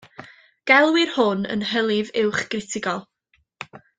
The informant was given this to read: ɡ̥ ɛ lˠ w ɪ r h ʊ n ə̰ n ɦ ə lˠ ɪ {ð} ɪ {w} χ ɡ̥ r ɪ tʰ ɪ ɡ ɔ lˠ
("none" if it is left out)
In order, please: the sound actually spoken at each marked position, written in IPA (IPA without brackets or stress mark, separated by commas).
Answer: v, w